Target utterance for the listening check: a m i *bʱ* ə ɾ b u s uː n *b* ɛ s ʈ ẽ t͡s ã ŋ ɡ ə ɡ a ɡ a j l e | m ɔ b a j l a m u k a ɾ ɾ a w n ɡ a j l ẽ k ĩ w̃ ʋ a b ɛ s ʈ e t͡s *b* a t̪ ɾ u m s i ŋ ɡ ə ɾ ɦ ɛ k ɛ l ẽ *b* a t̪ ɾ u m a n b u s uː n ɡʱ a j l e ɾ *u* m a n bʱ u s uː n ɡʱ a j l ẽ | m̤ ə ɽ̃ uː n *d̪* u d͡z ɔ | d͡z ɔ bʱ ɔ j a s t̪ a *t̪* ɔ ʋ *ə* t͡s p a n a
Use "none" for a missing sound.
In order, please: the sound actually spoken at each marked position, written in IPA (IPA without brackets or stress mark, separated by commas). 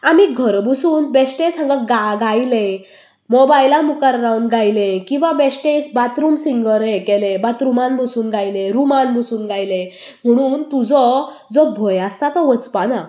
ɡʱ, b, b, b, u, t̪, t̪, ə